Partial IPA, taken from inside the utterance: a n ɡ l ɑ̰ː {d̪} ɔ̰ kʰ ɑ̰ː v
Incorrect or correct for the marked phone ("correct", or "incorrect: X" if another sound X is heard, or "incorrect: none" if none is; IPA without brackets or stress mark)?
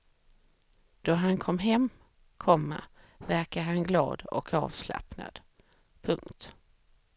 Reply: correct